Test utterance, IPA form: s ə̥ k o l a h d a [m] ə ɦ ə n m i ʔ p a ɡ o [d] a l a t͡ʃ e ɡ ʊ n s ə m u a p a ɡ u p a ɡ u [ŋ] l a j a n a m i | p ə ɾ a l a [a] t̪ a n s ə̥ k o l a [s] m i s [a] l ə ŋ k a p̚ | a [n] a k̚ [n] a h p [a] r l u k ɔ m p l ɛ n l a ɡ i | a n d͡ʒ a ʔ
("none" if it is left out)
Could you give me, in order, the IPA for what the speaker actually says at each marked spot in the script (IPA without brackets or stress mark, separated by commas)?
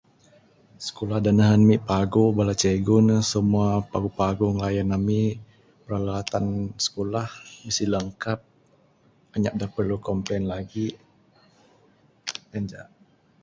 n, b, ŋ, a, h, i, ɲ, d, ə